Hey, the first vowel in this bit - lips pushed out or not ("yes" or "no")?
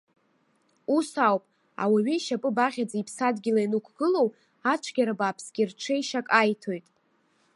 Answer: yes